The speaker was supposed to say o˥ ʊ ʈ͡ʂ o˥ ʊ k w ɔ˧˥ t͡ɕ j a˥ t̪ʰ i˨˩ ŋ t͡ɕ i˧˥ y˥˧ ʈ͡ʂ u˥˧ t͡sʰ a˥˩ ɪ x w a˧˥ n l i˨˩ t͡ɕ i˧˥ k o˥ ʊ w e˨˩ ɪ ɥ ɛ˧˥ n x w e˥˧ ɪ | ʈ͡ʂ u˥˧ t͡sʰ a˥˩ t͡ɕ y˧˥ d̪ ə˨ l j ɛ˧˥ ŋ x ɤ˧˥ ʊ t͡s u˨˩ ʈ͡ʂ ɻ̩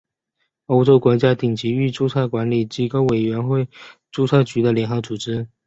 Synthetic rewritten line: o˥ ʊ ʈ͡ʂ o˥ ʊ k w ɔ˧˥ t͡ɕ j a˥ t̪ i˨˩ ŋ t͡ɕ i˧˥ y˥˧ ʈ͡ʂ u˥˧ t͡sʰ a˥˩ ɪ k w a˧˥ n l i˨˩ t͡ɕ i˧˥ k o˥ ʊ w e˨˩ ɪ ɥ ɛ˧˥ n x w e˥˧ ɪ | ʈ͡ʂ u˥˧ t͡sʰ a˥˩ t͡ɕ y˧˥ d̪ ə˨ l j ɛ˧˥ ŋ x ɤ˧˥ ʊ t͡s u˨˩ ʈ͡ʂ ɻ̩